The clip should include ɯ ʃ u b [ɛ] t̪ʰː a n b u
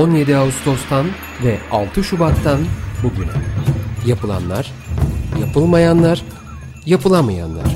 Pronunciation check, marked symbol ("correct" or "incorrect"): incorrect